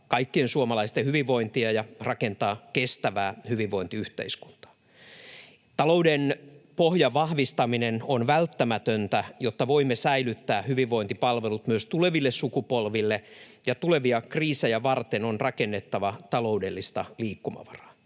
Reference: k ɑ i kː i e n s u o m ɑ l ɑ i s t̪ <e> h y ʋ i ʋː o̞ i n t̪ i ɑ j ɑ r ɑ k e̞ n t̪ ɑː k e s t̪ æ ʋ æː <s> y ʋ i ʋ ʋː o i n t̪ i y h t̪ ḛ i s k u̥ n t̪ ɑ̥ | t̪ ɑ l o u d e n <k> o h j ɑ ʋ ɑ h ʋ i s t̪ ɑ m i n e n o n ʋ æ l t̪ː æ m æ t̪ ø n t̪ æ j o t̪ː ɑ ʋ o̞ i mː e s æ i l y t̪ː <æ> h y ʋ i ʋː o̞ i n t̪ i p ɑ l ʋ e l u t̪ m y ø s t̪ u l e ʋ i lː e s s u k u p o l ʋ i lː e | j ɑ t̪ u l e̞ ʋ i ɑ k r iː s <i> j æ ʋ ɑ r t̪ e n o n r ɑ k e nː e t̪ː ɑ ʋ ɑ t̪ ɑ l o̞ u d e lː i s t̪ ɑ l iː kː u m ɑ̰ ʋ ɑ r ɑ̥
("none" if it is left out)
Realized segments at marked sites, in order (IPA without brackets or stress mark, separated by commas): e, h, p, æː, e